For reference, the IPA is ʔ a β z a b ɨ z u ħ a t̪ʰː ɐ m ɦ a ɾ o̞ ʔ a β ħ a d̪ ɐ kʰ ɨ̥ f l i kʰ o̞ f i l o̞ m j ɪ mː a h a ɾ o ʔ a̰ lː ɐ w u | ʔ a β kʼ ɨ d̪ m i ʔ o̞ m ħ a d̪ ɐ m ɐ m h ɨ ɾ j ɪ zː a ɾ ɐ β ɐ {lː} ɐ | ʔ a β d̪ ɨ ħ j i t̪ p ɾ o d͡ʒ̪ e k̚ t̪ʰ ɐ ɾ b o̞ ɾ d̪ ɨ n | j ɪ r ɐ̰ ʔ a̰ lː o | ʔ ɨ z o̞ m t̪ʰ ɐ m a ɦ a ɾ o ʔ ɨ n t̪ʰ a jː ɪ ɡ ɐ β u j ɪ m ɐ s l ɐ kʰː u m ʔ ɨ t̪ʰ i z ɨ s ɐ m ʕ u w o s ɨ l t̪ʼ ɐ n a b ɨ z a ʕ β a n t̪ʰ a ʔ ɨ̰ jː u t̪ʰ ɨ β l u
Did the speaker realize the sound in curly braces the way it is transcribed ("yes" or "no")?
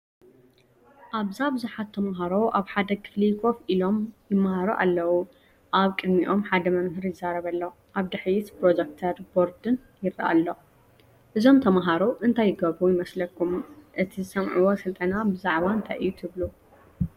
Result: yes